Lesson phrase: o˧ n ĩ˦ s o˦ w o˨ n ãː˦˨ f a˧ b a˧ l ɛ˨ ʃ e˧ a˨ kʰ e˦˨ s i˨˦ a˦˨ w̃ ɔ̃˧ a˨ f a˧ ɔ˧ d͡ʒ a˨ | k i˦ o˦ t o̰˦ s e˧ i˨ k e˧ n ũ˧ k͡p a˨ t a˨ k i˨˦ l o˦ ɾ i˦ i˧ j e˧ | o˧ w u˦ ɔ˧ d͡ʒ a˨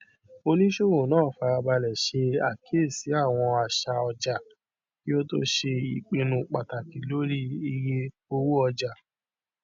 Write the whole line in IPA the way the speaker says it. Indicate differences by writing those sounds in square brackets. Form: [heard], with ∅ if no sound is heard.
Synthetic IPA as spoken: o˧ n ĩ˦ [ʃ] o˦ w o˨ n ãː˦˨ f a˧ b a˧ l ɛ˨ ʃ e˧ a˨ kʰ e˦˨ s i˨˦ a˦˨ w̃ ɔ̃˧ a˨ [ʃ] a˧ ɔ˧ d͡ʒ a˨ | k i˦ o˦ t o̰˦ [ʃ] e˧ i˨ [k͡p] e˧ n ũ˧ k͡p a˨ t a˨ k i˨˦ l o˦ ɾ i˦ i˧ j e˧ | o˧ w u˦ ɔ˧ d͡ʒ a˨

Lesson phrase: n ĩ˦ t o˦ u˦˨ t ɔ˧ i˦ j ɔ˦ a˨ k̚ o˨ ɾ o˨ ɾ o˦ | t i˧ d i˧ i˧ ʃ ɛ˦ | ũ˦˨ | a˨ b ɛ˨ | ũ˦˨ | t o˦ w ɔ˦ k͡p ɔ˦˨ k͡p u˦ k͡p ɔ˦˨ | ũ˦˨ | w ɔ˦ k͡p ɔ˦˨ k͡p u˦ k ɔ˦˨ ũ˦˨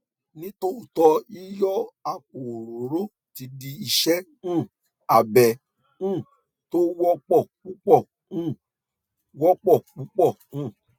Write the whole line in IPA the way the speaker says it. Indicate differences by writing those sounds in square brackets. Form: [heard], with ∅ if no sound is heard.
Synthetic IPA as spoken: n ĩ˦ t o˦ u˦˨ t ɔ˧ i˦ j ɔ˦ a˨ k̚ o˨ ɾ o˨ ɾ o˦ | t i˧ d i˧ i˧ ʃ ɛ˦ | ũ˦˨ | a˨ b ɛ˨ | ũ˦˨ | t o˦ w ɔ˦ k͡p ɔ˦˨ k͡p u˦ k͡p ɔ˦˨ | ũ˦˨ | w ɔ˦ k͡p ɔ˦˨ k͡p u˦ [k͡p] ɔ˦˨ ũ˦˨

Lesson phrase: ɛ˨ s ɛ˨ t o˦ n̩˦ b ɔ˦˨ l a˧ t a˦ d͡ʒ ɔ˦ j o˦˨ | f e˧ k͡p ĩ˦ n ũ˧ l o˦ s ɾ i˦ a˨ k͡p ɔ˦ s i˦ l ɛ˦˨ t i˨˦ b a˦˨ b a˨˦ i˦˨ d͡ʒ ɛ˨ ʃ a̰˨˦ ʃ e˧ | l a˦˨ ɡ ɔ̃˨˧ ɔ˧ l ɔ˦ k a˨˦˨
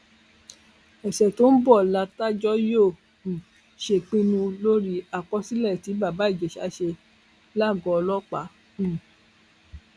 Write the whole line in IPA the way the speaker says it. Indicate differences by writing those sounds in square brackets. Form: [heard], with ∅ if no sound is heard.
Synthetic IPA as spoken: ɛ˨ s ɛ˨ t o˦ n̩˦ b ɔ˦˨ l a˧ t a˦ d͡ʒ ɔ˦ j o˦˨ | [ʃ] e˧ k͡p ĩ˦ n ũ˧ l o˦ [∅] ɾ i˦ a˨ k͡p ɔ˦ s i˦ l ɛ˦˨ t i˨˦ b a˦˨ b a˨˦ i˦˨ d͡ʒ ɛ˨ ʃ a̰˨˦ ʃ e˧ | l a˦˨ ɡ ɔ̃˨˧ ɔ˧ l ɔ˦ [k͡p] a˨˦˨

